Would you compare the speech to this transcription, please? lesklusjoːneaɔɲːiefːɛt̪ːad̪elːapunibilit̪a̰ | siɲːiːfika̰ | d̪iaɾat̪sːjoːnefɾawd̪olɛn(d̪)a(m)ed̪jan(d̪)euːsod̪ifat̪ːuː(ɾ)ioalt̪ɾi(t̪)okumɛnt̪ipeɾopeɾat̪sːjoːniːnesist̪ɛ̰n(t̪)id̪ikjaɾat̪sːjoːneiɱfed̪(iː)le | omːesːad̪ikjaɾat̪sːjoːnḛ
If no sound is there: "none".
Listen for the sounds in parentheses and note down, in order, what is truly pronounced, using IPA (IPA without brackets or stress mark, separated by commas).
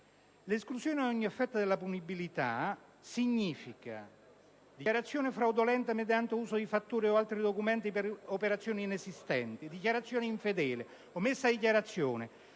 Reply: t̪, m, t̪, ɾ, d̪, t̪, ɛː